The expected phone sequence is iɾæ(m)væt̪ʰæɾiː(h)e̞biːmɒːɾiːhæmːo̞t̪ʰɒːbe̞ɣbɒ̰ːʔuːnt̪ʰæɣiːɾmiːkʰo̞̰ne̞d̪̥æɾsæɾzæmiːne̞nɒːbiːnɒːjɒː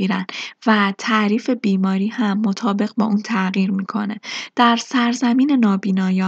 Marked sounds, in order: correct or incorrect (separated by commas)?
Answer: incorrect, incorrect